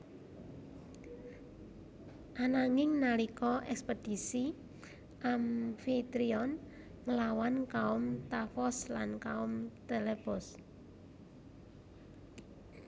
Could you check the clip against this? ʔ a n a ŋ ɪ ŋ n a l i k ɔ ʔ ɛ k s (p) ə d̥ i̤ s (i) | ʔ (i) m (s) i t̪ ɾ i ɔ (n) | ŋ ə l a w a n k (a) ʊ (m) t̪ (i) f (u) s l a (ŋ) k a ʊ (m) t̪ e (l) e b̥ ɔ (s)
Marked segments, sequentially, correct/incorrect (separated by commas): correct, correct, incorrect, incorrect, correct, correct, correct, incorrect, incorrect, incorrect, correct, correct, correct